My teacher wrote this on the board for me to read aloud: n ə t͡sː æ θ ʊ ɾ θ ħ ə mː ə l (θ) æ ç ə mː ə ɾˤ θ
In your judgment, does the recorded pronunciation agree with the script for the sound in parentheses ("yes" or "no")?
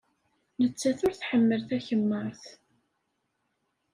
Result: yes